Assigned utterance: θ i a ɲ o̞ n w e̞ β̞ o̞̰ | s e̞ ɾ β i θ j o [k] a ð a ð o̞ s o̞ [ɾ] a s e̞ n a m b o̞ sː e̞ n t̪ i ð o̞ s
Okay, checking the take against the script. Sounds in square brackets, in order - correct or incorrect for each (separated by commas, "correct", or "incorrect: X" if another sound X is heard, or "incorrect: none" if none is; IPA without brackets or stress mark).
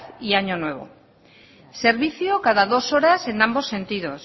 correct, correct